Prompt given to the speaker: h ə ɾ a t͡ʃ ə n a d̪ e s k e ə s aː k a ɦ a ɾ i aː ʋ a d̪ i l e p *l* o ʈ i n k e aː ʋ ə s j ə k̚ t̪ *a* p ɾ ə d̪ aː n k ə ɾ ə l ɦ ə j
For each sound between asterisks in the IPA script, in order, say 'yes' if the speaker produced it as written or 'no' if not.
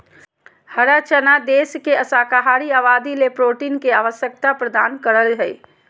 no, yes

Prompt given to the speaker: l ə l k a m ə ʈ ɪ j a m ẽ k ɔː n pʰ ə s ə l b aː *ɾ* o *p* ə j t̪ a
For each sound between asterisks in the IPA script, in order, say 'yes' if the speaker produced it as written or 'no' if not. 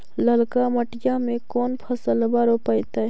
yes, yes

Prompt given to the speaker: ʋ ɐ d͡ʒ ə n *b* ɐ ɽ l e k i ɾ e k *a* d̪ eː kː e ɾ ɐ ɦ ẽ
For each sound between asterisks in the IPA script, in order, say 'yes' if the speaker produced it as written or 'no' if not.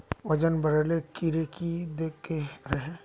yes, no

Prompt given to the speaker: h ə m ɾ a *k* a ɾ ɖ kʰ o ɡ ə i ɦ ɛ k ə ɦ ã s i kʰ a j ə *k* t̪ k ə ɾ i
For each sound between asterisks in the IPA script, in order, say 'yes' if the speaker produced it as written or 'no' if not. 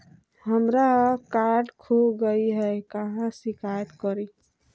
yes, no

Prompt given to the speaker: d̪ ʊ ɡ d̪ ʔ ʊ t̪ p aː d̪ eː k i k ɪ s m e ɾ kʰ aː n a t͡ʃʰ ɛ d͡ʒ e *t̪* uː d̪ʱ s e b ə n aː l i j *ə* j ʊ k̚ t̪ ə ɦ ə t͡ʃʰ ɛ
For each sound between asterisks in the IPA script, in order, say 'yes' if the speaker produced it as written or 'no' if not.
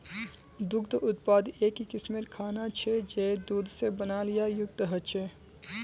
no, no

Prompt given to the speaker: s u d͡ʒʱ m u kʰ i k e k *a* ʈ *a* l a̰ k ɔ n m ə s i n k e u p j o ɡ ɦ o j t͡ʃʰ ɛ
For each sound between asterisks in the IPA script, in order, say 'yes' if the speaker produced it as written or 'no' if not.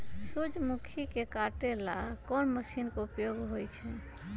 yes, no

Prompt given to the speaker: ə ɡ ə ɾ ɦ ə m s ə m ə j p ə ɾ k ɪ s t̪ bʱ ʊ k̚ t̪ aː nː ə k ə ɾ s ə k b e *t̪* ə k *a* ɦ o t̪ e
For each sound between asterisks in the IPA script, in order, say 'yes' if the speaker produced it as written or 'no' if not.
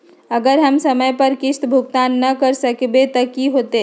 yes, no

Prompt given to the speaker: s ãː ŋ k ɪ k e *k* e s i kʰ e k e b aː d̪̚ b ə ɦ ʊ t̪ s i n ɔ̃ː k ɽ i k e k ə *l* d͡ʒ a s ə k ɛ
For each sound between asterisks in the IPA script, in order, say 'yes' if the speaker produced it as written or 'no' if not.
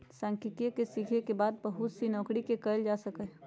yes, yes

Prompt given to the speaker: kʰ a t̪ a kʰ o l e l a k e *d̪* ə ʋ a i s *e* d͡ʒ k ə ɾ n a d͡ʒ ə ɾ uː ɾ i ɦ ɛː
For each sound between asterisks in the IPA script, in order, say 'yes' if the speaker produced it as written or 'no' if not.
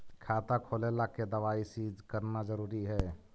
yes, no

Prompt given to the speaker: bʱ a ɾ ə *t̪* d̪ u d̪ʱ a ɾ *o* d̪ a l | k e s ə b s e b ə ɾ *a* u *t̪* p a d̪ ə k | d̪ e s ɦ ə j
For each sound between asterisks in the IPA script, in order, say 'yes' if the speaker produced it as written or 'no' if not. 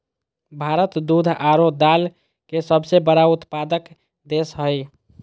yes, yes, yes, yes

